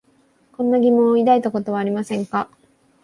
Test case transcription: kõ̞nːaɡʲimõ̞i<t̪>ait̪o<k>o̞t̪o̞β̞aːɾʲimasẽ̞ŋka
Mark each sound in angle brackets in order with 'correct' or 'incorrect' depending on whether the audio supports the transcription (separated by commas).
incorrect, correct